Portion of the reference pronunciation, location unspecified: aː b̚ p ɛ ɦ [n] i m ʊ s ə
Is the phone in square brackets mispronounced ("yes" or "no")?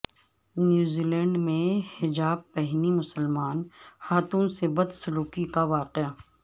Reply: no